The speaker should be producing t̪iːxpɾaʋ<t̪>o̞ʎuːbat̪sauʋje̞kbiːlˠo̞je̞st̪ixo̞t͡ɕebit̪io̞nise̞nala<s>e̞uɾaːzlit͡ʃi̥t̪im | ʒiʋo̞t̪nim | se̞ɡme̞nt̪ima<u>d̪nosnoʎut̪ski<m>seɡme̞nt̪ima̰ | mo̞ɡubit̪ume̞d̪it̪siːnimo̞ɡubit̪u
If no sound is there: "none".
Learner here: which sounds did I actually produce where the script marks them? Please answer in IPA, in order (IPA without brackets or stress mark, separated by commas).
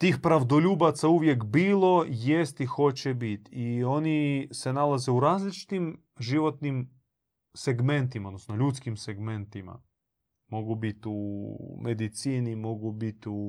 d̪, z, o, m